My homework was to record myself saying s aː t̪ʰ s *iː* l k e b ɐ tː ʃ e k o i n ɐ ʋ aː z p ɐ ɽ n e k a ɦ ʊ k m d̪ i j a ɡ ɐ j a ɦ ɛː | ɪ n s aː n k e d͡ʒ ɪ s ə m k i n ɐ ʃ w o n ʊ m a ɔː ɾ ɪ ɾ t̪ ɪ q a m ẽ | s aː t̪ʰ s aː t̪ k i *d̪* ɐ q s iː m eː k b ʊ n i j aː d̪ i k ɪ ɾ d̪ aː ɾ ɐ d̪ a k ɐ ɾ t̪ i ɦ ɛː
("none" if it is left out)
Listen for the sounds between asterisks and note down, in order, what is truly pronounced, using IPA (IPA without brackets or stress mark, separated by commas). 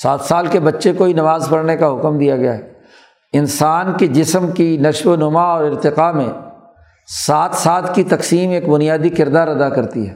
aː, t̪